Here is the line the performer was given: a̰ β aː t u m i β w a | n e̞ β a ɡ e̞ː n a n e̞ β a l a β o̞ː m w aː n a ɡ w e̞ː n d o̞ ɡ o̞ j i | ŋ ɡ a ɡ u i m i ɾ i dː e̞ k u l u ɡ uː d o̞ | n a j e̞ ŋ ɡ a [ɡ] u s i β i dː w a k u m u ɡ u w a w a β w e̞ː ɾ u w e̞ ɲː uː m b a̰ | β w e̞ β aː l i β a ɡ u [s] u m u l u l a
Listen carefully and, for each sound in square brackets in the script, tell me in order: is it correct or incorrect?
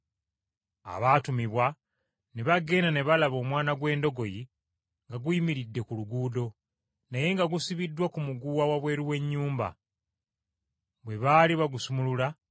correct, correct

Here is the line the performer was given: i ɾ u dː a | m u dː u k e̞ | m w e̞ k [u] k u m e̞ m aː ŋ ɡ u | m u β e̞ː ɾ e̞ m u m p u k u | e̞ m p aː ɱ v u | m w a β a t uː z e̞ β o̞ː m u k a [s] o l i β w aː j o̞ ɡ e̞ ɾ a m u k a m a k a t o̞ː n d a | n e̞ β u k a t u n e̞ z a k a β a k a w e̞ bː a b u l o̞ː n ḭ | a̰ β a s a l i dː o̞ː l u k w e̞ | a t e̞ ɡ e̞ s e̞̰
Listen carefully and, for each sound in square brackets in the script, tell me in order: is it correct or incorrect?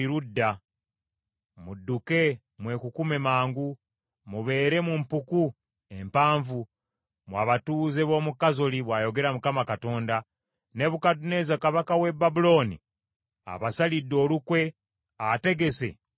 correct, incorrect

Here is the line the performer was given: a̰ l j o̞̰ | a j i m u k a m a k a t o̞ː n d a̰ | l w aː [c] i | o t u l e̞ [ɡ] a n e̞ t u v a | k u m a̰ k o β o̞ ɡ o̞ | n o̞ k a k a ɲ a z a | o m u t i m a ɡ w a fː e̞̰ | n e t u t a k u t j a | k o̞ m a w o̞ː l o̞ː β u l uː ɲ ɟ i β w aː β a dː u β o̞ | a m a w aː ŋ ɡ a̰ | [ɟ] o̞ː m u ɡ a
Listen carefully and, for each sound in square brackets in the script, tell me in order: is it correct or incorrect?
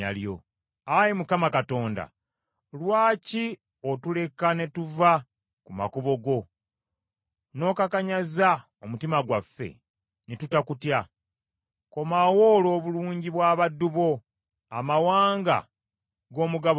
correct, incorrect, incorrect

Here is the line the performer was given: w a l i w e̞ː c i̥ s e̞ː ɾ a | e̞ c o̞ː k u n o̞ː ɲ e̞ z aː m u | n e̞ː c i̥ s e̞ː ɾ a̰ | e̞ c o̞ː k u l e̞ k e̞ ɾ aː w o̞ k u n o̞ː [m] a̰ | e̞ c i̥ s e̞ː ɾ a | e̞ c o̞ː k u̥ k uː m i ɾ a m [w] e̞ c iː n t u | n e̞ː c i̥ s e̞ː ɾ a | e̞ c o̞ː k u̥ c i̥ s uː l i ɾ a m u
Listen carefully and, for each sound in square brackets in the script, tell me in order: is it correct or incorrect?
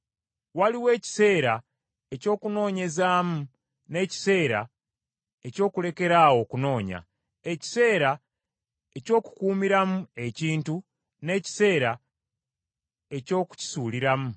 incorrect, incorrect

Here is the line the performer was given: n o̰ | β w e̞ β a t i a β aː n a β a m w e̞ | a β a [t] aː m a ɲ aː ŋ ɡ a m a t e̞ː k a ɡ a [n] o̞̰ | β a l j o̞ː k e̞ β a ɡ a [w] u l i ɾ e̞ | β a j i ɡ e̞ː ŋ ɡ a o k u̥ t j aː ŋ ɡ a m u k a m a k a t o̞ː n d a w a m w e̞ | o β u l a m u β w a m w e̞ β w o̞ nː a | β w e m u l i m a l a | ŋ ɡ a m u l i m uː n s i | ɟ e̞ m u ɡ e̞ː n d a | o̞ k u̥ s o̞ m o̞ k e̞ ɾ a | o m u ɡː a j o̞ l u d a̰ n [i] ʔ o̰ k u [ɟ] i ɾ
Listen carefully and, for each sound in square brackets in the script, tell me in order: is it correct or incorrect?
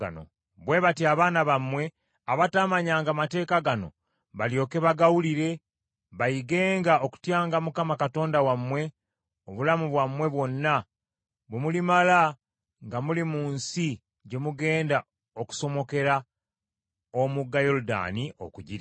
correct, correct, correct, correct, correct

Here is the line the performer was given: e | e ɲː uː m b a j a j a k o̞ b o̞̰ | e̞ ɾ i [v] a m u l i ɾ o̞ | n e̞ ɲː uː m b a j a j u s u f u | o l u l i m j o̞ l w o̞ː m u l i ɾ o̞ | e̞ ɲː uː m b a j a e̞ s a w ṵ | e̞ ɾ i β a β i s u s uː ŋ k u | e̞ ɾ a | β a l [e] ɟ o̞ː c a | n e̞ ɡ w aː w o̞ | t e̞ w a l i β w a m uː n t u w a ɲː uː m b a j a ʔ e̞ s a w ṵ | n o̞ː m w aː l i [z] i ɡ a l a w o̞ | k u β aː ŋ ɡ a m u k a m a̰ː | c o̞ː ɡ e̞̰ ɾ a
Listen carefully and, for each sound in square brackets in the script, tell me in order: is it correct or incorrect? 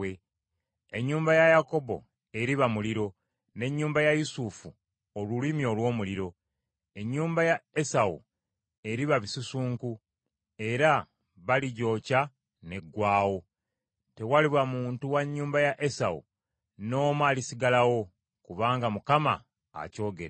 incorrect, incorrect, incorrect

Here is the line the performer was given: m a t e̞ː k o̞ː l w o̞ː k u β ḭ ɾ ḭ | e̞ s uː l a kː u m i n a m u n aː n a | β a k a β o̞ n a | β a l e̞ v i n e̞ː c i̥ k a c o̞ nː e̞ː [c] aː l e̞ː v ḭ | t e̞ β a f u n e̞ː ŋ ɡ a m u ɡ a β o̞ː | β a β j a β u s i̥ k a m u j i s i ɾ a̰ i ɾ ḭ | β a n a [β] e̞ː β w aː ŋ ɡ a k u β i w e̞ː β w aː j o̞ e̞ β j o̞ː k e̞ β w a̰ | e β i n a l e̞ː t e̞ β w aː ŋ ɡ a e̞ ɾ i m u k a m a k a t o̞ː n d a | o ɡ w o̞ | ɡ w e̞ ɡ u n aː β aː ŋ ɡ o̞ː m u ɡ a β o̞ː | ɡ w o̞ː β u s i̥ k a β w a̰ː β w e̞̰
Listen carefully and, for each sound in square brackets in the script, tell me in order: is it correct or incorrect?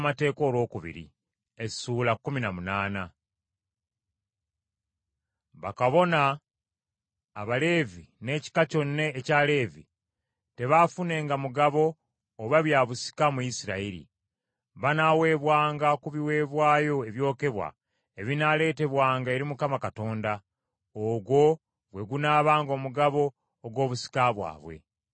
correct, incorrect

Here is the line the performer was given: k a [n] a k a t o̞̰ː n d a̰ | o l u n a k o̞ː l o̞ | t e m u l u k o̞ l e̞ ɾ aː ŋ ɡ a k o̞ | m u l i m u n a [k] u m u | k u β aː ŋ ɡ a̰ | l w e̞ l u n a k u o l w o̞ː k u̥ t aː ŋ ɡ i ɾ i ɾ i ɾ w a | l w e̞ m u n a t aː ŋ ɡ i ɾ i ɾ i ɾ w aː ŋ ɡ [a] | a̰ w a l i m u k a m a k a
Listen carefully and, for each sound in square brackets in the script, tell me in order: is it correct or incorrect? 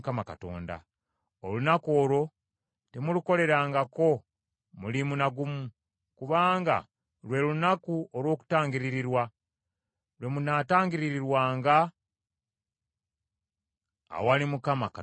incorrect, incorrect, correct

